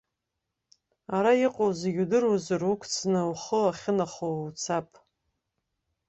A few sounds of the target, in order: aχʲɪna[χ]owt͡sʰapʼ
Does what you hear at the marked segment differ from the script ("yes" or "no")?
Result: no